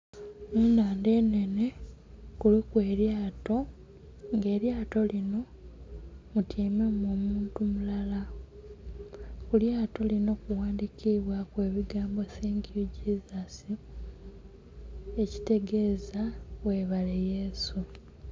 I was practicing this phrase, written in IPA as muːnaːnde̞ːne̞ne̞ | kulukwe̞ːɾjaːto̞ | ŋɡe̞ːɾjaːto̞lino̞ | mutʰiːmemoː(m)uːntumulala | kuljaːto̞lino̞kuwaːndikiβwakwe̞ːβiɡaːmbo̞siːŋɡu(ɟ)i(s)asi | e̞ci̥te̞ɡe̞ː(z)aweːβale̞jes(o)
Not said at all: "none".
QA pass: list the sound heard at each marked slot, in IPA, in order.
m, ɟ, z, z, u

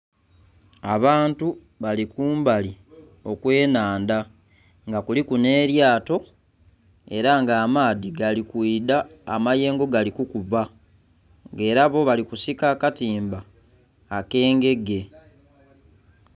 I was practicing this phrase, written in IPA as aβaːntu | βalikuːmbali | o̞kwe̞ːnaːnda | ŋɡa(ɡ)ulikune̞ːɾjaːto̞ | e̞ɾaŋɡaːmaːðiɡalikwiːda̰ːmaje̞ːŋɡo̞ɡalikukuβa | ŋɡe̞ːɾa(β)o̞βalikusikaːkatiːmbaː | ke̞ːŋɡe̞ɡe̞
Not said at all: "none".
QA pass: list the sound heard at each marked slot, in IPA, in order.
k, β

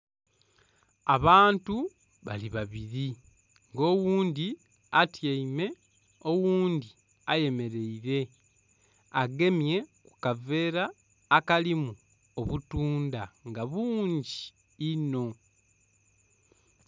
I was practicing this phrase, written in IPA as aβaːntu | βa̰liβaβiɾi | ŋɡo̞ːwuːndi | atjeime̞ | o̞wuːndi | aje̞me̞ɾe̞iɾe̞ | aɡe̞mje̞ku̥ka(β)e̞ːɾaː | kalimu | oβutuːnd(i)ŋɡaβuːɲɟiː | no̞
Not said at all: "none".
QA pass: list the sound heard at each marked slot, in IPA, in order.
v, a

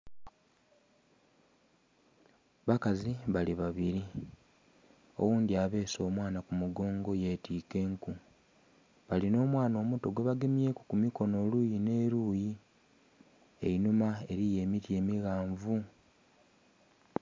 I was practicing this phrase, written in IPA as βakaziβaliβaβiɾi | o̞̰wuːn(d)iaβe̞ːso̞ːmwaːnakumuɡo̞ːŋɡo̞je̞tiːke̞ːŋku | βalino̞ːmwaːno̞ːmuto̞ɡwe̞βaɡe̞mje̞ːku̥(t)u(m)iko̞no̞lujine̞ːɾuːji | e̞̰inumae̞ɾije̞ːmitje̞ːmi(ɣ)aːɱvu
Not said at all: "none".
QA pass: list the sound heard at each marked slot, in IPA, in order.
d, k, m, ɣ

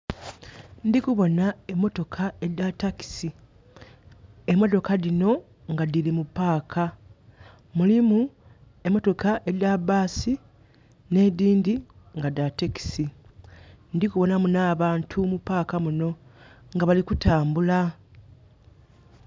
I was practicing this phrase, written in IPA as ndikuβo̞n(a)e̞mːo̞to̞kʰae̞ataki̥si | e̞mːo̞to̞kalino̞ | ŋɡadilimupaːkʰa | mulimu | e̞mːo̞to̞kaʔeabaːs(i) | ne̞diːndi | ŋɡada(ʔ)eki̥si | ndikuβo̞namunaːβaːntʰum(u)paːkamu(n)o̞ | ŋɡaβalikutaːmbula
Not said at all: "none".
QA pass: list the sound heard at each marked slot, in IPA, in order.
a, i, t, u, n

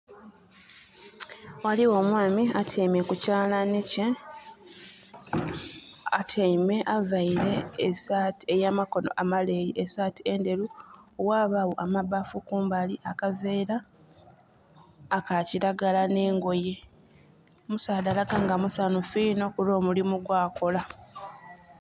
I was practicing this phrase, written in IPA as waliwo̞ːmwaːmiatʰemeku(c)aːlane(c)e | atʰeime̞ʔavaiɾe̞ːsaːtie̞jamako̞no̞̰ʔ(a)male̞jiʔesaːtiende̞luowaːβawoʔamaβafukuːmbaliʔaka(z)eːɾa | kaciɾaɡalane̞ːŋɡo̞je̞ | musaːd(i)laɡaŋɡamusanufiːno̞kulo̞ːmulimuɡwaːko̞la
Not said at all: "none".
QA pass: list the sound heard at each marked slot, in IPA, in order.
c, c, a, v, a

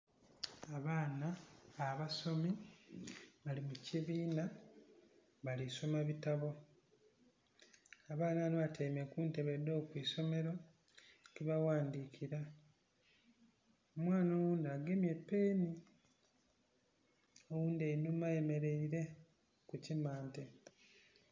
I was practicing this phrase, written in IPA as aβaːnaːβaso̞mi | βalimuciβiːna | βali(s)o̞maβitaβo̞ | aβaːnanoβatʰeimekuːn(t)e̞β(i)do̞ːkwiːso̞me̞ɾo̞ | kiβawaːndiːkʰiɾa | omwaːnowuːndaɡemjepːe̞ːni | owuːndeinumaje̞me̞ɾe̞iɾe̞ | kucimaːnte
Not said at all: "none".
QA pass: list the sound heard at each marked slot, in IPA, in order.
s, t, e

